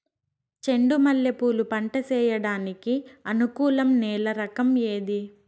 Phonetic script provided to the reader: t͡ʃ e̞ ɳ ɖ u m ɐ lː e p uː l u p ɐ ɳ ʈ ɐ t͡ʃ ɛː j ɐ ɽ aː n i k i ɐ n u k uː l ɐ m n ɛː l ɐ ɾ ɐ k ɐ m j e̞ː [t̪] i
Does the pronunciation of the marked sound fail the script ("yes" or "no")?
yes